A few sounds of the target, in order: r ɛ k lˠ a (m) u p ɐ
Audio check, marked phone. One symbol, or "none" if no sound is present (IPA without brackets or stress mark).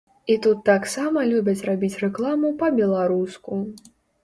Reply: m